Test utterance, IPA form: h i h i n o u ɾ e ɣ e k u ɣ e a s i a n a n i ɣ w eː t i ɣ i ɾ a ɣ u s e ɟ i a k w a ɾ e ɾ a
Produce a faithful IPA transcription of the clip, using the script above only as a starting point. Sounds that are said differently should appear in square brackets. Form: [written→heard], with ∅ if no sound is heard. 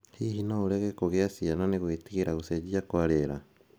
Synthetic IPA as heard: h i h i n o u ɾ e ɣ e k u ɣ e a s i a n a n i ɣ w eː t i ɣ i ɾ a ɣ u s e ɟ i a k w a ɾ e ɾ a